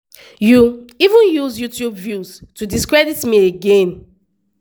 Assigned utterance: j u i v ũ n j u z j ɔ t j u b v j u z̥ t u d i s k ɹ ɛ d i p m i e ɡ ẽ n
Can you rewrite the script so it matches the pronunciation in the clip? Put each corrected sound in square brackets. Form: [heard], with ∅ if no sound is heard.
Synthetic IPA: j u i v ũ n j u z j [u] t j u b v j u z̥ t u d i s k ɹ ɛ d i [t] m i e ɡ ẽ n